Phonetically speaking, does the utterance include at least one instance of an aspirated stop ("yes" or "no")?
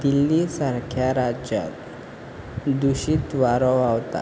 yes